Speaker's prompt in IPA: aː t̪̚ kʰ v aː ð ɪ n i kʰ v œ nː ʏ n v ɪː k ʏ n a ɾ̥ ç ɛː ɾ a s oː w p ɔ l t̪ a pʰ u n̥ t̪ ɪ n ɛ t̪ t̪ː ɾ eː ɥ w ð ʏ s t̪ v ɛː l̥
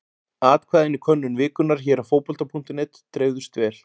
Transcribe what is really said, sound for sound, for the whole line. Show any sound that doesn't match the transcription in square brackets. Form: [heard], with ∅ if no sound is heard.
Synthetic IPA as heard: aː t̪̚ kʰ v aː ð ɪ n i kʰ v œ nː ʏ n v ɪː k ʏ n a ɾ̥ ç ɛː ɾ a [f] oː w p ɔ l t̪ a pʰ u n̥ t̪ ɪ n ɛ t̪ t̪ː ɾ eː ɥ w ð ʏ s t̪ v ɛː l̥